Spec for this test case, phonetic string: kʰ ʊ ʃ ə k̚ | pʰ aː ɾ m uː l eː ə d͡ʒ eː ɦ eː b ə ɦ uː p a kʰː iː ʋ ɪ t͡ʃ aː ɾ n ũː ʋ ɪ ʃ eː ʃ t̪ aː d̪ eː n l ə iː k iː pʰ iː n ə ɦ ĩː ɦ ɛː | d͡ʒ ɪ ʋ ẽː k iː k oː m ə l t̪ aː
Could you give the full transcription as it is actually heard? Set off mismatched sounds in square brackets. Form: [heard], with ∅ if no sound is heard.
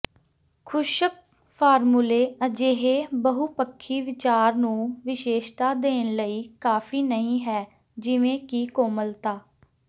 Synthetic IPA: kʰ ʊ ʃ ə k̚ | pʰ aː ɾ m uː l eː ə d͡ʒ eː ɦ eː b ə ɦ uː p [ə] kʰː iː ʋ ɪ t͡ʃ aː ɾ n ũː ʋ ɪ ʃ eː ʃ t̪ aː d̪ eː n l ə iː k [aː] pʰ iː n ə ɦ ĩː ɦ ɛː | d͡ʒ ɪ ʋ ẽː k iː k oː m ə l t̪ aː

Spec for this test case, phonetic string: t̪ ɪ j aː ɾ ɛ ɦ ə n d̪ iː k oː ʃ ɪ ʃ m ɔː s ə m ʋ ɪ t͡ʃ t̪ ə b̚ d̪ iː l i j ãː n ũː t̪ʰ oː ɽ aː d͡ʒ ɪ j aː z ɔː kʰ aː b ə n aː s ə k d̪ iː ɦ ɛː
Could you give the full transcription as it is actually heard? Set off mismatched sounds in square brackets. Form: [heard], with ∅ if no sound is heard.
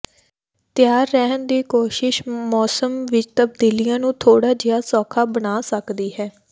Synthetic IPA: t̪ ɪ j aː [ɾː] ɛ ɦ ə n d̪ iː k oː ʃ ɪ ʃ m ɔː s ə m ʋ ɪ t͡ʃ t̪ ə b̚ d̪ iː l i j ãː n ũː t̪ʰ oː ɽ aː d͡ʒ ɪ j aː [s] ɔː kʰ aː b ə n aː s ə k d̪ iː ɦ ɛː

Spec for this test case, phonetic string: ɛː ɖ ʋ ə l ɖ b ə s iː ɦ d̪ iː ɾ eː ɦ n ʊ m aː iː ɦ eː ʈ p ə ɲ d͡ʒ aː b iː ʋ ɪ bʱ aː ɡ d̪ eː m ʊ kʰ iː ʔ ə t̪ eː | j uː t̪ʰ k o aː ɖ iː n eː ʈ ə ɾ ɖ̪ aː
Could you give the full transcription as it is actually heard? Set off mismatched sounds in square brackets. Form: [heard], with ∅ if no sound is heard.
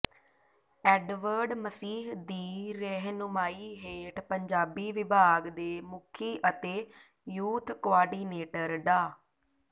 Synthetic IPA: ɛː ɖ ʋ ə [ɾ] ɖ [m] ə s iː ɦ d̪ iː ɾ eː ɦ n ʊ m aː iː ɦ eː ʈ p ə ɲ d͡ʒ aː b iː ʋ ɪ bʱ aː ɡ d̪ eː m ʊ kʰ iː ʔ ə t̪ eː | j uː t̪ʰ k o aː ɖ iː n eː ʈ ə ɾ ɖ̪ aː

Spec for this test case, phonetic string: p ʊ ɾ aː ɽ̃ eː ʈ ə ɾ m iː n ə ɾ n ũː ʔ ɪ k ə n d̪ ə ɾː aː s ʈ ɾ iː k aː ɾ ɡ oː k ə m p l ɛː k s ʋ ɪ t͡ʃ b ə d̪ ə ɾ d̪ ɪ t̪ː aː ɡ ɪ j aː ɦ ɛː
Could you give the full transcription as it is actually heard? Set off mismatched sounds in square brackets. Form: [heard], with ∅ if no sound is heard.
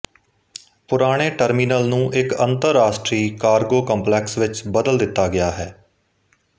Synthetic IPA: p ʊ ɾ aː ɽ̃ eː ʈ ə ɾ m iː n ə [l] n ũː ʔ ɪ k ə n [t̪] ə ɾː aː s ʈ ɾ iː k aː ɾ ɡ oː k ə m p l ɛː k s ʋ ɪ t͡ʃ b ə d̪ ə [l] d̪ ɪ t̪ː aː ɡ ɪ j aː ɦ ɛː

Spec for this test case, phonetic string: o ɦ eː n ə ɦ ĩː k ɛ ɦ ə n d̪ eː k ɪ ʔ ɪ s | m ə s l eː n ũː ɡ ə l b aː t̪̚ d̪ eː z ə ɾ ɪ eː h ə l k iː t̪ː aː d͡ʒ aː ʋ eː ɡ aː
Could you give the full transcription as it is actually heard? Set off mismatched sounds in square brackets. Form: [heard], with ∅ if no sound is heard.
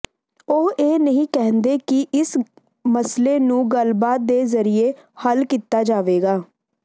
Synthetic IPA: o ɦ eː n ə ɦ ĩː k ɛ ɦ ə n d̪ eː k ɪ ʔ ɪ s | m ə s l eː n ũː ɡ ə l b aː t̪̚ d̪ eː z ə ɾ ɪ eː h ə l k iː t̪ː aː d͡ʒ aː ʋ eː ɡ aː

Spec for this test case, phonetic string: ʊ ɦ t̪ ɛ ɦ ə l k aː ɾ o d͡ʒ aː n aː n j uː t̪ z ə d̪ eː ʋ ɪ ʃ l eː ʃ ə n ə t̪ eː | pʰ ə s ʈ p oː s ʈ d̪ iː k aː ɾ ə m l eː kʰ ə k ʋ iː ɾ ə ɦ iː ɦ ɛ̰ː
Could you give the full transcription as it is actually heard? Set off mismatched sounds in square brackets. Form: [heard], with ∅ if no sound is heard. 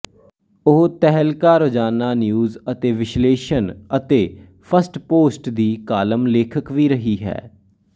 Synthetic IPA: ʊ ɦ t̪ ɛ ɦ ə l k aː ɾ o d͡ʒ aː n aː n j uː [∅] z ə [t̪] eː ʋ ɪ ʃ l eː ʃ ə n ə t̪ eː | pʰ ə s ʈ p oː s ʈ d̪ iː k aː [l] ə m l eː kʰ ə k ʋ iː ɾ ə ɦ iː ɦ ɛ̰ː

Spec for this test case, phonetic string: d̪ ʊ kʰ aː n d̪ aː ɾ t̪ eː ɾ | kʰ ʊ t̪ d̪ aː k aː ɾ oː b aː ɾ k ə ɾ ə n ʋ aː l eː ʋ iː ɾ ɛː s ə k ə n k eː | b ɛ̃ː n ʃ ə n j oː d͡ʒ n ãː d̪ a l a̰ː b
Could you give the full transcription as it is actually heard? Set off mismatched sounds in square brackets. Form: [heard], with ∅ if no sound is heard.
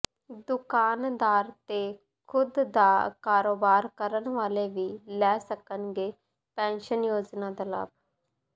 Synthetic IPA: d̪ ʊ [k] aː n d̪ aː ɾ t̪ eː [∅] | kʰ ʊ [d̪] d̪ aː k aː ɾ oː b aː ɾ k ə ɾ ə n ʋ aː l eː ʋ iː [l] ɛː s ə k ə n [ɡ] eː | [p] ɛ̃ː n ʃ ə n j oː d͡ʒ n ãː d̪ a l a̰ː b

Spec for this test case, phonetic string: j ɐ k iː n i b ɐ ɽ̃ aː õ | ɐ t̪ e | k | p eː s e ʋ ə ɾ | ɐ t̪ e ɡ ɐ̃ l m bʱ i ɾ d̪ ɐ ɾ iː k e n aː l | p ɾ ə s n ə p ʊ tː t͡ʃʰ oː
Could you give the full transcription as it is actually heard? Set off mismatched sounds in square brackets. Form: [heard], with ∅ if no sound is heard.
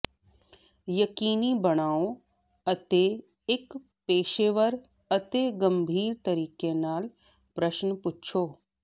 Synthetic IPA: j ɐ k iː n i b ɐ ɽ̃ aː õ | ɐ t̪ e | k | p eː [ʃ] e ʋ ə ɾ | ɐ t̪ e ɡ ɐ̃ [∅] m bʱ [iː] ɾ [t̪] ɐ ɾ iː k e n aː l | p ɾ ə [ʃ] n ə p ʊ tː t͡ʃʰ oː

